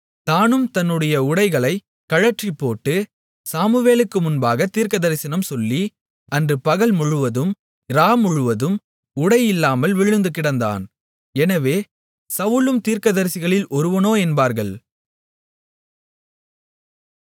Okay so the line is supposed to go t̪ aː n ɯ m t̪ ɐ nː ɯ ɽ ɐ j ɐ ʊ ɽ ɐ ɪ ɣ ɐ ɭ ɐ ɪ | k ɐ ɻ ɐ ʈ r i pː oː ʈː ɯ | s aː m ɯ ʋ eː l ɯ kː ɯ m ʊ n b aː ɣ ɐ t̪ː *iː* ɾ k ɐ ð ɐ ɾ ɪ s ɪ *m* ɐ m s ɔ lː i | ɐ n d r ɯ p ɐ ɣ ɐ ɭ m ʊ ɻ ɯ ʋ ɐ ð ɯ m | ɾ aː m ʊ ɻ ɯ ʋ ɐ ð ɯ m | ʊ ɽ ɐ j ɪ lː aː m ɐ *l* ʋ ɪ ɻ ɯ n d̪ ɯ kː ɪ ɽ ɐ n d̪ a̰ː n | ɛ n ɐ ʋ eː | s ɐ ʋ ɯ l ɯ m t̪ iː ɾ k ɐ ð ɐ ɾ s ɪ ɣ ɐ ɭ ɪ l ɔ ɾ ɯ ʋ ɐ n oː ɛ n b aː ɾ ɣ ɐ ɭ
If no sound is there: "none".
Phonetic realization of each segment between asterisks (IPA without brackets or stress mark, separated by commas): iː, n, l